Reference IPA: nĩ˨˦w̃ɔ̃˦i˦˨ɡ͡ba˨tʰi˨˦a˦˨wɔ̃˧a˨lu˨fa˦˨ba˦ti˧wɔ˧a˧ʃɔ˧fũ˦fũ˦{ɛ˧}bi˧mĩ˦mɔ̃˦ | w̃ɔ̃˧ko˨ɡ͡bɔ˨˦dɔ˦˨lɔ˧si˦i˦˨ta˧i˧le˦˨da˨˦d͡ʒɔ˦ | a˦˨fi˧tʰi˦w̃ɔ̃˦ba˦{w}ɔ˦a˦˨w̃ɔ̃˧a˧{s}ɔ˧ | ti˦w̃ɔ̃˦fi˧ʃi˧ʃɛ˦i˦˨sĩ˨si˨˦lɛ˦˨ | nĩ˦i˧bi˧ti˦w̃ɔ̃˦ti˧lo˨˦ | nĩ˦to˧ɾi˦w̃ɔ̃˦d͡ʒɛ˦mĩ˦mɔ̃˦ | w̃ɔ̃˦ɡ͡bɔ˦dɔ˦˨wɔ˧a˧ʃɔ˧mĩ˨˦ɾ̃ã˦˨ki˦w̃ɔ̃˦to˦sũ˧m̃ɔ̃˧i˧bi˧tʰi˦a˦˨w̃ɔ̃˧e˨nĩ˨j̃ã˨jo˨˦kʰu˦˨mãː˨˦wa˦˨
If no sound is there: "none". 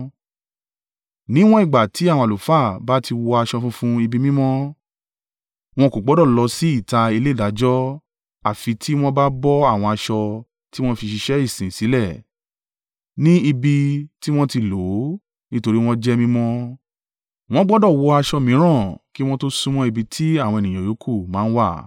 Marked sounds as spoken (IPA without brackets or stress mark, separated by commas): i˧, b, ʃ